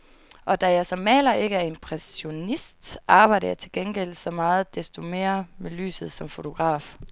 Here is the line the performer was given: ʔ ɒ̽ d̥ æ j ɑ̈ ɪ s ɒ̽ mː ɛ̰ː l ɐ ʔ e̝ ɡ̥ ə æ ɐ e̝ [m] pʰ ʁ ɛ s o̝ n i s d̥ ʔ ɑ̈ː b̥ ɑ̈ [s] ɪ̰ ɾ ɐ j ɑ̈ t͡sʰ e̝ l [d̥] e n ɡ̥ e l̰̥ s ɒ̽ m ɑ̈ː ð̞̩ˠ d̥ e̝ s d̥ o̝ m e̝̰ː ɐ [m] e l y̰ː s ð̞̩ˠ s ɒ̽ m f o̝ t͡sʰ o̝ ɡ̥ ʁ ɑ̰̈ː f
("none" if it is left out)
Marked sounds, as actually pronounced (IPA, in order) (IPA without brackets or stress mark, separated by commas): m, none, ɡ̥, m